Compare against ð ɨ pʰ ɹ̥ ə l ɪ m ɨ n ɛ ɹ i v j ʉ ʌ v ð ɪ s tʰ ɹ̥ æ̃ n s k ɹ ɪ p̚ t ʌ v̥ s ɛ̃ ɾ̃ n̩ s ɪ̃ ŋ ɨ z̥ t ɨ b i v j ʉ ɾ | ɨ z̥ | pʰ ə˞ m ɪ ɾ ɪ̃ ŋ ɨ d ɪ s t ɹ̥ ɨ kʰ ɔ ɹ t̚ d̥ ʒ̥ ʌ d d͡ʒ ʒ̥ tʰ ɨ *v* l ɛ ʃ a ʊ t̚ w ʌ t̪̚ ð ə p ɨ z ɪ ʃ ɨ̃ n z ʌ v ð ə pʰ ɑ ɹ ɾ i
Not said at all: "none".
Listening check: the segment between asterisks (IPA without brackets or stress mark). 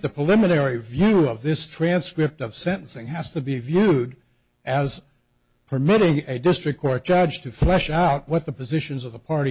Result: f